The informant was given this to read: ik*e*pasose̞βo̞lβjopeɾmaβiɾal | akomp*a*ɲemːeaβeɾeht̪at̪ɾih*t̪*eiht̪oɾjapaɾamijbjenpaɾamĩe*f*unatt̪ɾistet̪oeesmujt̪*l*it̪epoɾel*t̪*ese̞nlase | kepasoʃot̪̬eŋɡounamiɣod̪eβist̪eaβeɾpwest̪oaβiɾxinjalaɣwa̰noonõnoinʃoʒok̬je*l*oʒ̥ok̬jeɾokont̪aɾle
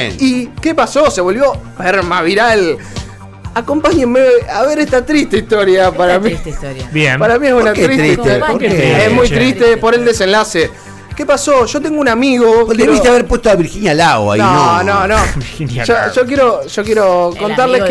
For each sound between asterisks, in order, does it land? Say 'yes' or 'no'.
yes, yes, yes, no, no, no, no

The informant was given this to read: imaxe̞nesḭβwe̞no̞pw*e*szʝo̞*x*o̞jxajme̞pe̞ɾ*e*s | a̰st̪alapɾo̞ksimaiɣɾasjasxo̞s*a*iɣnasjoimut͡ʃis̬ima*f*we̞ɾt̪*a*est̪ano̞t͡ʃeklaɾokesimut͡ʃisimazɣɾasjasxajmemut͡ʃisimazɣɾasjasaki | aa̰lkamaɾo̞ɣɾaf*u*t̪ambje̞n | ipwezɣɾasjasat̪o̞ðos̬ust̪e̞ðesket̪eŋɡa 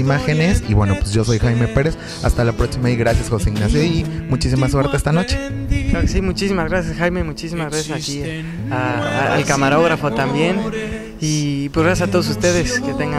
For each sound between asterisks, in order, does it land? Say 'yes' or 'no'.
yes, no, yes, no, no, no, no

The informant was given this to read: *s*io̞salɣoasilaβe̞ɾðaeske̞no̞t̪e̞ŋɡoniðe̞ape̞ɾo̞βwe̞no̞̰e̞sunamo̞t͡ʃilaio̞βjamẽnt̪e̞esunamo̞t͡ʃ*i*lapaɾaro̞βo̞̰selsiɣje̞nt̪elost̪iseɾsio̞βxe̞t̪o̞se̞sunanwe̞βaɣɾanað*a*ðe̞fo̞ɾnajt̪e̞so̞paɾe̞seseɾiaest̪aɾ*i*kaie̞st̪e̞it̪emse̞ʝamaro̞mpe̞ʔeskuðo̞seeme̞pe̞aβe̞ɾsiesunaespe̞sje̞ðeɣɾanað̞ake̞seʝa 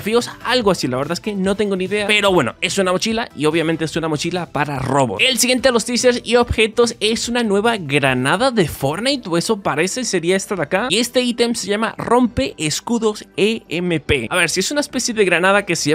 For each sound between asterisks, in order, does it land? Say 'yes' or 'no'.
no, yes, yes, no

